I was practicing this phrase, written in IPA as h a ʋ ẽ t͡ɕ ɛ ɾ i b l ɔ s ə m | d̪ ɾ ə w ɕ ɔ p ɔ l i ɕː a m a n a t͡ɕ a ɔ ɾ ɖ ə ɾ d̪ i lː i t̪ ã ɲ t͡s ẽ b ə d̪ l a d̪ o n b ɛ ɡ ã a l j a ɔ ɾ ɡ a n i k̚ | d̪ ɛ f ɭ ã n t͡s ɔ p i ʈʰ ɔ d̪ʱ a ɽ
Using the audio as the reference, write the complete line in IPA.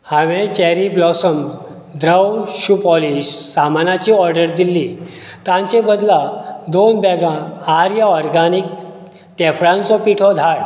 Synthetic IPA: h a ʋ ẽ t͡ɕ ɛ ɾ i b l ɔ s ə m | d̪ ɾ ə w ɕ u p ɔ l i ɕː a m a n a t͡ɕ i ɔ ɾ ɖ ə ɾ d̪ i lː i t̪ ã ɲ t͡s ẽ b ə d̪ l a d̪ o n b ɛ ɡ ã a ɾ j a ɔ ɾ ɡ a n i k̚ | t̪ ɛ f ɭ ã n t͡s ɔ p i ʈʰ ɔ d̪ʱ a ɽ